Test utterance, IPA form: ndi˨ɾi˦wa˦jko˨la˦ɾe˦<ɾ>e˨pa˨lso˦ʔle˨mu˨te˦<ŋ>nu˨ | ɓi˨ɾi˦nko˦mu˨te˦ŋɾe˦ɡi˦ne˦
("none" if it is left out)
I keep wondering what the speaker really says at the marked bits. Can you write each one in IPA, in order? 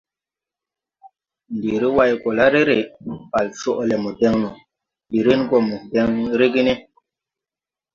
ɾ, ŋ

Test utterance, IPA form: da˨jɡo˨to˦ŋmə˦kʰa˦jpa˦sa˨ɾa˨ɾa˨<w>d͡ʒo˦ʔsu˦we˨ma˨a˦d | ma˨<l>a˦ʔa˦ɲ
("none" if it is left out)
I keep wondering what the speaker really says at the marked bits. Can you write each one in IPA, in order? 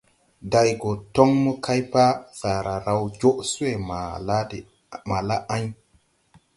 w, l

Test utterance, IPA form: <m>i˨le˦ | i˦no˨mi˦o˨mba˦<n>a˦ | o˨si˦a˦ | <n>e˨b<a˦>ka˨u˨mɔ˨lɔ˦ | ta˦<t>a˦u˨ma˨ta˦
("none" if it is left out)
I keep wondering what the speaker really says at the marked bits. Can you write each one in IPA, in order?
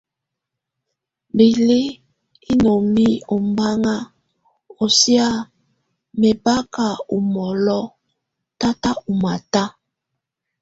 b, ŋ, m, a˦, t

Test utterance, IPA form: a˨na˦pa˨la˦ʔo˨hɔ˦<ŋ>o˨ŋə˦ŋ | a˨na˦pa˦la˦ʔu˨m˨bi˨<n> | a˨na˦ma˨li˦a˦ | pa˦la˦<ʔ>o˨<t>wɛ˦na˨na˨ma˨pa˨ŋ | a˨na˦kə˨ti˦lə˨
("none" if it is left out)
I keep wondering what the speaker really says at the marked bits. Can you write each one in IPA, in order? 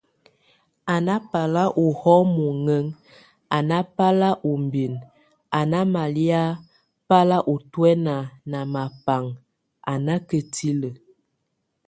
m, n, ʔ, t

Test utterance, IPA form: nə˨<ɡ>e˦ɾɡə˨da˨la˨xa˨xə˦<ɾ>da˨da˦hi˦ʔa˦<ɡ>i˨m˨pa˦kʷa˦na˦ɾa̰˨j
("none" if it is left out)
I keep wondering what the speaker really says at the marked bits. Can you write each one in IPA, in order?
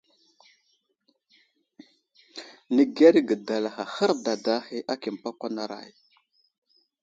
ɡ, ɾ, k

